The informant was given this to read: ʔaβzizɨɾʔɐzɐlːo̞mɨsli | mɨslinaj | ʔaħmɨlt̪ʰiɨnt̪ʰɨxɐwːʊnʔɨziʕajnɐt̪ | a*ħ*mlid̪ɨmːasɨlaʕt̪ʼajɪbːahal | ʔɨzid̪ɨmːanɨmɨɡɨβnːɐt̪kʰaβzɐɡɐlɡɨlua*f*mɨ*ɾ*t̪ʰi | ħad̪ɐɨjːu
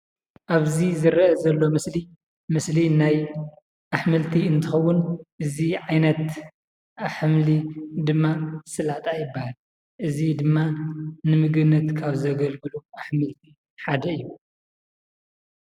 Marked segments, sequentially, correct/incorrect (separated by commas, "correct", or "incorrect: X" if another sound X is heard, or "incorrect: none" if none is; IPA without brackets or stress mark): correct, incorrect: ħ, incorrect: l